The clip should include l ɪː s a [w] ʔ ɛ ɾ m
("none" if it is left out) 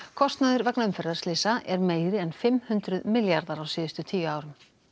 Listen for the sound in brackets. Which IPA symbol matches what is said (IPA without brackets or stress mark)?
none